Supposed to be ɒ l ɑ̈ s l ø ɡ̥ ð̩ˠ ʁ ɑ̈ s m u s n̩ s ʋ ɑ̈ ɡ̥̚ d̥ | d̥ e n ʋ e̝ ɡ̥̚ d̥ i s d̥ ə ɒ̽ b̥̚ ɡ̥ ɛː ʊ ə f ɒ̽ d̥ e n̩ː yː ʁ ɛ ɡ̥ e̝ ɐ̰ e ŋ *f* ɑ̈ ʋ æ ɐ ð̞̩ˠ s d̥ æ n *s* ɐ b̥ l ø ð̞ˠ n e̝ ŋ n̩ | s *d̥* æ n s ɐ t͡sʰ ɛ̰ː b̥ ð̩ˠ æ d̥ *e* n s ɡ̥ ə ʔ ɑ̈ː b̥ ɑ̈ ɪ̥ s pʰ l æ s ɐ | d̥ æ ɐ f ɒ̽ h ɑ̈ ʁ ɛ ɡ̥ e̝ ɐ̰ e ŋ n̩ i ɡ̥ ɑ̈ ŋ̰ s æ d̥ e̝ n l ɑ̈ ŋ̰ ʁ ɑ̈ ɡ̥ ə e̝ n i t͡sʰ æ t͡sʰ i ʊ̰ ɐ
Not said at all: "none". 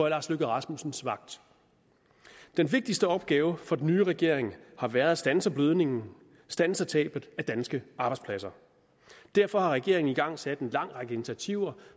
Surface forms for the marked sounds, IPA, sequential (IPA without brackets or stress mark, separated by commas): h, s, d̥, æ